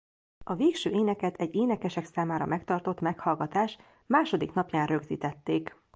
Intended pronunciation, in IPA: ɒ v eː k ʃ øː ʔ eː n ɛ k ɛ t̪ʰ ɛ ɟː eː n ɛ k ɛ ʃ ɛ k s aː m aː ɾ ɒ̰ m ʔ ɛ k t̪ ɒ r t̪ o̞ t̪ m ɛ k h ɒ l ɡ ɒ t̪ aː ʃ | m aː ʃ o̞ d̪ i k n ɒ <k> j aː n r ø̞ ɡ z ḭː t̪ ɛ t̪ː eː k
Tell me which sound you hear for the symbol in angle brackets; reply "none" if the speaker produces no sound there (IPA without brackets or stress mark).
p